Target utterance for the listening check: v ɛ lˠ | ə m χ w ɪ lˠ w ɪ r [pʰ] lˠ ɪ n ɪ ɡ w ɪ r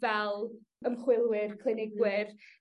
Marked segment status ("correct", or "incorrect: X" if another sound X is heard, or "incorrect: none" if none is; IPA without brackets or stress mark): incorrect: kʰ